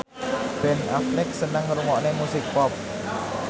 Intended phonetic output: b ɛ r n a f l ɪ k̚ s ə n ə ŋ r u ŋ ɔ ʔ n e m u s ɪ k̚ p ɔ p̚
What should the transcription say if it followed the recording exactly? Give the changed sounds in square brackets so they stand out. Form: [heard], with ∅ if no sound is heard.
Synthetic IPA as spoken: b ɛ [∅] n a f l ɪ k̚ s ə n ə ŋ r u ŋ ɔ ʔ n e m u s ɪ k̚ p ɔ p̚